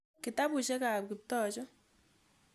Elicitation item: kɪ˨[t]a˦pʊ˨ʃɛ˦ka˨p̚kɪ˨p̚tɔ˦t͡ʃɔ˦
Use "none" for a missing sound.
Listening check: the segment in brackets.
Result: t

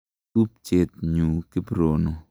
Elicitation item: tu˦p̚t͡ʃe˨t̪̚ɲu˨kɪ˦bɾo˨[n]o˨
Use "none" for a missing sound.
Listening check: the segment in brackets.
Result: n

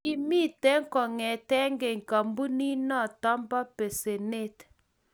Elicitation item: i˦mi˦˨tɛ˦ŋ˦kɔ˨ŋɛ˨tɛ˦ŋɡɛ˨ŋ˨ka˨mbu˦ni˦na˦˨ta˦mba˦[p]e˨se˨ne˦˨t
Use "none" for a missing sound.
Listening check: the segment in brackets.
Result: p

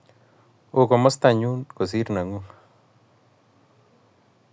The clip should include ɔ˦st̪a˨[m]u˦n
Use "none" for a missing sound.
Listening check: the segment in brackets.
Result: ɲ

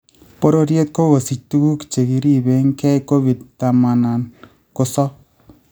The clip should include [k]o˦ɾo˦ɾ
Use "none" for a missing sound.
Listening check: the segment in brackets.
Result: p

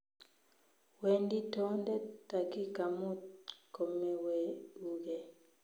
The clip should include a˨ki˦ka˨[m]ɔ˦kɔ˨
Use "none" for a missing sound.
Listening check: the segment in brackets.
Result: m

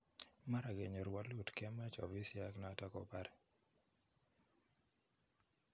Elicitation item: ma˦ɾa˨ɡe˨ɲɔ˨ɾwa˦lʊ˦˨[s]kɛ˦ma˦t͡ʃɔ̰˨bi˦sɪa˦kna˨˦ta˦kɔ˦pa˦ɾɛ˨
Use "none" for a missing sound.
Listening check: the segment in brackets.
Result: t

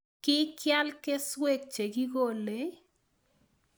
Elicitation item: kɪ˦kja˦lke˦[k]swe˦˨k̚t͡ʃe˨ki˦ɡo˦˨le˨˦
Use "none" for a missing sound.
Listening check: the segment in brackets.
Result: none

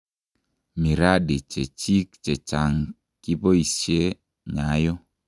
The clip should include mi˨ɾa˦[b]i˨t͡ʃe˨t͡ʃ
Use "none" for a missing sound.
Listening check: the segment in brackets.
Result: d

